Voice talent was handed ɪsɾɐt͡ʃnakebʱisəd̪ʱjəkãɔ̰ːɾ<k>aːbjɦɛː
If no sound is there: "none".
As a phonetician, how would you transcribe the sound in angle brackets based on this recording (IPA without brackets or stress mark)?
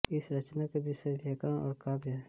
k